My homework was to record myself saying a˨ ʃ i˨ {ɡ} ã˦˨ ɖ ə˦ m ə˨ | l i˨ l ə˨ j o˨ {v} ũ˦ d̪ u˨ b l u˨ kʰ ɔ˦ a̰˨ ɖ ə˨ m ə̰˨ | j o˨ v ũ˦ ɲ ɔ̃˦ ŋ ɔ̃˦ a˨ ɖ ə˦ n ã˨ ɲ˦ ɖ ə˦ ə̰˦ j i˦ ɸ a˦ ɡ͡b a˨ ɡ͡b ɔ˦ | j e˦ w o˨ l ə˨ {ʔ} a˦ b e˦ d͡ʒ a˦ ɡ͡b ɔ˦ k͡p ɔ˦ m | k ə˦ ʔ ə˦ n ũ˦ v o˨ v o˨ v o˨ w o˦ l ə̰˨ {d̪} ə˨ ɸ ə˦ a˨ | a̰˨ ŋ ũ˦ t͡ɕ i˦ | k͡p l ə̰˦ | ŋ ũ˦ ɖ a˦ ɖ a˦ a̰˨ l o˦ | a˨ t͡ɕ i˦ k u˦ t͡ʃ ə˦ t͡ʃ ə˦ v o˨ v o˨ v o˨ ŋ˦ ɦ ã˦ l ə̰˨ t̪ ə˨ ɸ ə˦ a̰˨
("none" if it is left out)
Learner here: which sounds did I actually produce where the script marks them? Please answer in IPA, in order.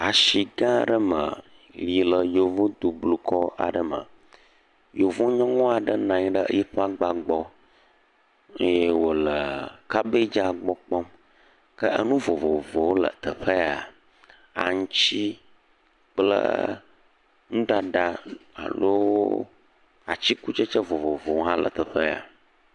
ɡ, v, k, t̪

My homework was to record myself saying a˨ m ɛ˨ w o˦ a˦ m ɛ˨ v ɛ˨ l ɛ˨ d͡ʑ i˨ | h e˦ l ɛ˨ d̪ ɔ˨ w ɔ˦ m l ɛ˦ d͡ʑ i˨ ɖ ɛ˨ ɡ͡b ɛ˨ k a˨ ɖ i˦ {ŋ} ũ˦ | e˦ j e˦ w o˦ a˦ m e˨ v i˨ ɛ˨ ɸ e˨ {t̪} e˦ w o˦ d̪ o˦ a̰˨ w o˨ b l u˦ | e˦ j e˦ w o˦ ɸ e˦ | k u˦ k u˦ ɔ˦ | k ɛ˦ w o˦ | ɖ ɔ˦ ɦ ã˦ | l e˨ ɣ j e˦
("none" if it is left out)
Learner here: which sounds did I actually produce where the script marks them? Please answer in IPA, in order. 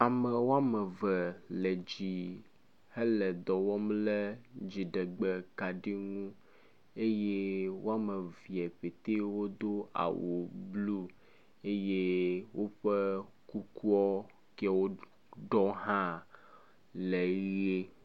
ŋ, t̪

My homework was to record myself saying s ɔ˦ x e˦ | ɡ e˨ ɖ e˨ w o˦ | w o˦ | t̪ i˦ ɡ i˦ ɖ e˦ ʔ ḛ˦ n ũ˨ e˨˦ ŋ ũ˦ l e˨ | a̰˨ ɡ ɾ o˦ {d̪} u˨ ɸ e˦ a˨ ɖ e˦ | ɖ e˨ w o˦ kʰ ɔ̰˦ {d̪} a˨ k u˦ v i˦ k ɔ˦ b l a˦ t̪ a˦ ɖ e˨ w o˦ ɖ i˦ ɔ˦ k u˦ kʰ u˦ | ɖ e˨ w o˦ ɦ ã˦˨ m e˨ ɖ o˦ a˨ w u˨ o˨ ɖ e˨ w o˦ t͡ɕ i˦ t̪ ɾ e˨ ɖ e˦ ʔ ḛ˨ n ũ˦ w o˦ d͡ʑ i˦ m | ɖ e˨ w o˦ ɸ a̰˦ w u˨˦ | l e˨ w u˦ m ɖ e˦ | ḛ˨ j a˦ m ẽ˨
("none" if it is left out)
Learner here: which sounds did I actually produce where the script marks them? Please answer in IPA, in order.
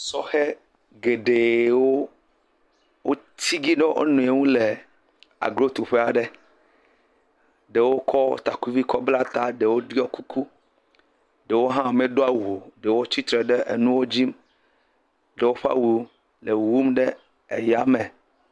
t̪, t̪

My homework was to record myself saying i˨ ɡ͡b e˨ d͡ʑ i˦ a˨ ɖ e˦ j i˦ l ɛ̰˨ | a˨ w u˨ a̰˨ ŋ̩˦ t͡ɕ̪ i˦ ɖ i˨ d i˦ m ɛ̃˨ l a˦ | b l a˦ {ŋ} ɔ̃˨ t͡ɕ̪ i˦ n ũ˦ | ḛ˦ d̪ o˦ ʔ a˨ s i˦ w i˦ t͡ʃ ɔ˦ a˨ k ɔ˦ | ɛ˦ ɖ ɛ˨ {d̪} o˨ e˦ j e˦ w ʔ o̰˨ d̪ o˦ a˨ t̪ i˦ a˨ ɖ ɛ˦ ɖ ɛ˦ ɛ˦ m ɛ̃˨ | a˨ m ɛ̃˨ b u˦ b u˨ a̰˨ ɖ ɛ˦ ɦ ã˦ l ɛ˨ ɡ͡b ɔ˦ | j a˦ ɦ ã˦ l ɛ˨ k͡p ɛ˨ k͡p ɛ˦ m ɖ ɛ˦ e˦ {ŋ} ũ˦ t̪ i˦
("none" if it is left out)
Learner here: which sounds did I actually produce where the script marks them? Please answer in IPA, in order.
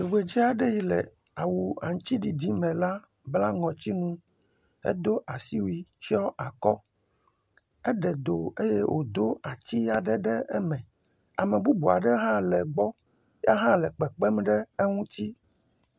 ŋ, d̪, ŋ

